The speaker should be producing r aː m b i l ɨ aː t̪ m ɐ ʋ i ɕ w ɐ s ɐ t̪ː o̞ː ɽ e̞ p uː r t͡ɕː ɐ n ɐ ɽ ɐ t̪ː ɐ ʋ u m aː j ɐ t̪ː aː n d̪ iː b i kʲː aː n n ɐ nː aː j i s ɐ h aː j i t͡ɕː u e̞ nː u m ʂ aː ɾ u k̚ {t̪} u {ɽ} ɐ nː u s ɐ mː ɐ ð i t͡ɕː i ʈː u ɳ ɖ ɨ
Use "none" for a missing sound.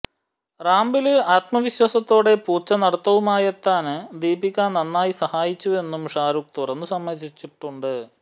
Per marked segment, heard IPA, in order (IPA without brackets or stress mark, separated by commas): t̪, r